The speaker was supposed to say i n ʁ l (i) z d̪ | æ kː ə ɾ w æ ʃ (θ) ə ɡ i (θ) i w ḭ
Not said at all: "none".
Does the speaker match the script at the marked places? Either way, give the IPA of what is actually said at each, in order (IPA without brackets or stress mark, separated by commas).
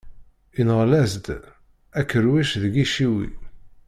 æ, ð, ʃ